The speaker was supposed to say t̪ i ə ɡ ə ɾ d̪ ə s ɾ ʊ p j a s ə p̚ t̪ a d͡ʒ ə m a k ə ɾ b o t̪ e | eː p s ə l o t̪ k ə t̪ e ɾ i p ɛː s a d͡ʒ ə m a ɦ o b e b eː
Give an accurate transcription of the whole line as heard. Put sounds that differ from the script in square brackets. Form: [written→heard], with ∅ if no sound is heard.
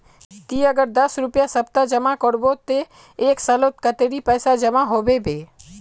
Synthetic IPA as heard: t̪ i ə ɡ ə ɾ d̪ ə s ɾ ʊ p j a s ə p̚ t̪ a d͡ʒ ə m a k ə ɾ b o t̪ e | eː [p→k] s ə l o t̪ k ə t̪ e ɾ i p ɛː s a d͡ʒ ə m a ɦ o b e b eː

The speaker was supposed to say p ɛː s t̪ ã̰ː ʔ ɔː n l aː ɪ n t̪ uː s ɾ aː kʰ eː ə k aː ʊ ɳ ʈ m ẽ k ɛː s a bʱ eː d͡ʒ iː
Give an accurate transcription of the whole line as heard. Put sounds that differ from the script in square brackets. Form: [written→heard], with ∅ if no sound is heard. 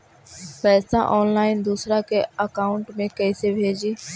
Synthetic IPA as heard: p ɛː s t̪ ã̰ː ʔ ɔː n l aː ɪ n [t̪→d̪] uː s ɾ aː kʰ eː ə k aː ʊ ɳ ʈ m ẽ k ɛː s [a→e] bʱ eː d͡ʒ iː

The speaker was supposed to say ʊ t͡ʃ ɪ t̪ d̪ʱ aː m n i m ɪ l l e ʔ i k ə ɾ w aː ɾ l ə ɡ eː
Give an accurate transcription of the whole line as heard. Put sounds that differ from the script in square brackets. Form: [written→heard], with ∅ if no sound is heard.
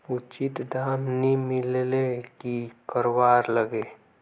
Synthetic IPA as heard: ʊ t͡ʃ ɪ t̪ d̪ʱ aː m n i m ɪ l l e [ʔ→k] i k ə ɾ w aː ɾ l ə ɡ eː

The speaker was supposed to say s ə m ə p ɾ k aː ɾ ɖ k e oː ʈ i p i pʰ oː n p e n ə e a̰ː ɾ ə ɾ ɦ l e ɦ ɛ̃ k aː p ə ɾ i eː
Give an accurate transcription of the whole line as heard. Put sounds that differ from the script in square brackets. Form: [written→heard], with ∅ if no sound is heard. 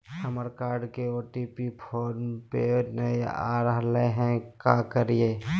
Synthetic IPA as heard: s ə m ə [p→∅] ɾ k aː ɾ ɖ k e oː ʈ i p i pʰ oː n p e n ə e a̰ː ɾ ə [ɾ→∅] ɦ l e ɦ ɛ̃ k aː [p→k] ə ɾ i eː

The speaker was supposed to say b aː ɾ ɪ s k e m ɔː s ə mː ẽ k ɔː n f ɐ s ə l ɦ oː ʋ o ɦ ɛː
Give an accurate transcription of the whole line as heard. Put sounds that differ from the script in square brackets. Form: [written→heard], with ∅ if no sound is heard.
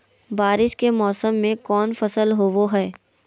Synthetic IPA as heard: b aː ɾ ɪ [s→ʃ] k e m ɔː s ə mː ẽ k ɔː n f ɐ s ə l ɦ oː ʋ o ɦ ɛː

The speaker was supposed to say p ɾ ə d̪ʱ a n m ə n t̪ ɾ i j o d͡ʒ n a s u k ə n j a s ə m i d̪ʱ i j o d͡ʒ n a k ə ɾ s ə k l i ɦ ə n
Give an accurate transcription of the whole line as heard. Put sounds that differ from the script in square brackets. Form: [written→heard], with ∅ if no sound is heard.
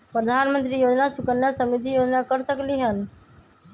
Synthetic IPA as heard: p ɾ ə d̪ʱ a n m ə n t̪ ɾ i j o d͡ʒ n a s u k ə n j a s ə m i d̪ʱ i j o d͡ʒ n a k ə ɾ s ə k l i ɦ ə n

